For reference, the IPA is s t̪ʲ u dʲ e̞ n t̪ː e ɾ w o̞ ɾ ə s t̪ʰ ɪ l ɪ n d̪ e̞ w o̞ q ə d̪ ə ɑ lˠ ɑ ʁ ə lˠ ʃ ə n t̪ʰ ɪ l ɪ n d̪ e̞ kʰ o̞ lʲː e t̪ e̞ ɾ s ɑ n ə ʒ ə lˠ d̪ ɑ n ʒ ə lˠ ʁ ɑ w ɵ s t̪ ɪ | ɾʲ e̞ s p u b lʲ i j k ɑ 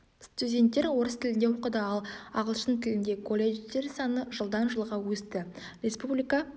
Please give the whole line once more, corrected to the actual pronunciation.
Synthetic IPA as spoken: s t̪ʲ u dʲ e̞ n t̪ː e ɾ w o̞ ɾ ə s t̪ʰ ɪ l ɪ n d̪ e̞ w o̞ q ə d̪ ə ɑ lˠ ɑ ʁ ə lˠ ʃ ə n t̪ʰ ɪ l ɪ n d̪ e̞ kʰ o̞ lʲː e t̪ e̞ ɾ s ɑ n ə ʒ ə lˠ d̪ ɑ n ʒ ə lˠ ʁ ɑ w ɵ s t̪ ɪ | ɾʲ e̞ s p u b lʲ i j k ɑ